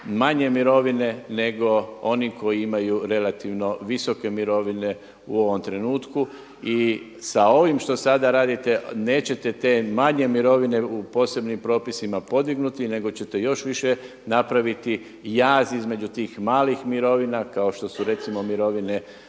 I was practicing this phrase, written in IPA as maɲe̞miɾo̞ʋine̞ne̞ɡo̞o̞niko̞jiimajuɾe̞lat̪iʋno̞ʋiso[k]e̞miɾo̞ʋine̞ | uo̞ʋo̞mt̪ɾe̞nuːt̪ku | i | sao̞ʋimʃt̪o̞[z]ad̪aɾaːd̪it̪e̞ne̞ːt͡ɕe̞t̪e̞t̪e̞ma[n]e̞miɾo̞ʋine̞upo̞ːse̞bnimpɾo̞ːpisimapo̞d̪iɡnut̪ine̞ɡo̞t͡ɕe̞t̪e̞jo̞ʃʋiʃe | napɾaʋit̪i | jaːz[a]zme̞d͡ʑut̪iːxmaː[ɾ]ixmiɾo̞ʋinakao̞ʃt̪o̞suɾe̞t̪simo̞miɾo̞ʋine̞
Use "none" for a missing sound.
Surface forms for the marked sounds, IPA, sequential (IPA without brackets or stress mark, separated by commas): k, s, ɲ, i, l